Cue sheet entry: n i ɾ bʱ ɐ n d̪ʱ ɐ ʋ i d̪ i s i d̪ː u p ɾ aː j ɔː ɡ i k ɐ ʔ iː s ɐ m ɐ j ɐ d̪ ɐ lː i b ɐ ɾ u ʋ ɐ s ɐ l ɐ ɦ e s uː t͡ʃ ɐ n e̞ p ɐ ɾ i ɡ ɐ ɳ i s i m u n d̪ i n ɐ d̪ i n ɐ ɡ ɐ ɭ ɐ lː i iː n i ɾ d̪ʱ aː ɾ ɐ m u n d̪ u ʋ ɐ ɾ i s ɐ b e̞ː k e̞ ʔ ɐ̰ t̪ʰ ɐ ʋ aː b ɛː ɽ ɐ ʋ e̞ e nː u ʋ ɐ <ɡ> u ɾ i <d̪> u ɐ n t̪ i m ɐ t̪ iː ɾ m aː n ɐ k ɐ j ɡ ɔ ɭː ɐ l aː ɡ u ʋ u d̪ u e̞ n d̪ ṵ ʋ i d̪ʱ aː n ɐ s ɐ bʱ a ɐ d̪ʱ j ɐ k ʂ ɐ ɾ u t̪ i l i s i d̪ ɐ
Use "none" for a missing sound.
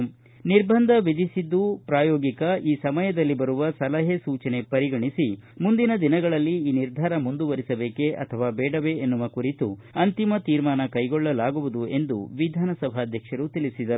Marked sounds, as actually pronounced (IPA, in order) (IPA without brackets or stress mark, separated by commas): k, t̪